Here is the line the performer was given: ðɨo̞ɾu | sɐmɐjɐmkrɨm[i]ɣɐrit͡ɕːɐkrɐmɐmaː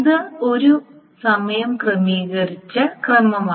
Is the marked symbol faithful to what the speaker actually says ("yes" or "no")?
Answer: no